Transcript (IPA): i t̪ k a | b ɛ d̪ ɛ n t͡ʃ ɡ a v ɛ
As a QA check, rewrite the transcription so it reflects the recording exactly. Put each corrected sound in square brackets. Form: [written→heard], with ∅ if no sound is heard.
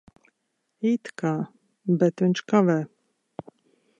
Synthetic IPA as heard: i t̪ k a | b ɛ [d̪→t̪] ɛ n t͡ʃ [ɡ→k] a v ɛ